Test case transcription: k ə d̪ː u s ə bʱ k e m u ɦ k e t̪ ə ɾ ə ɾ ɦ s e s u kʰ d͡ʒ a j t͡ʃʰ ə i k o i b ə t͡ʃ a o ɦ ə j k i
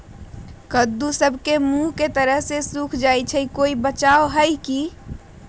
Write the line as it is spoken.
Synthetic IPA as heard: k ə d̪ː u s ə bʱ k e m u ɦ k e t̪ ə ɾ ə ɦ s e s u kʰ d͡ʒ a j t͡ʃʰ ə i k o i b ə t͡ʃ a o ɦ ə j k i